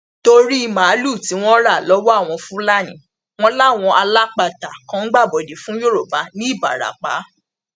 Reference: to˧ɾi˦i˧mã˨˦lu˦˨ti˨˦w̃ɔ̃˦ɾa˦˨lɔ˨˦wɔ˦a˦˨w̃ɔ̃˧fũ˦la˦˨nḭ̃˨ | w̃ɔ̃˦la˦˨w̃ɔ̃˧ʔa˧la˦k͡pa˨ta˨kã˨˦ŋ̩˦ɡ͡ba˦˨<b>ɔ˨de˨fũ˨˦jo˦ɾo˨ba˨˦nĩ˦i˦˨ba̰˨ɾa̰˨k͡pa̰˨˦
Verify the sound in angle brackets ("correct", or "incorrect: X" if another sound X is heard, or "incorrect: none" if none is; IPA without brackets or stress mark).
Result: correct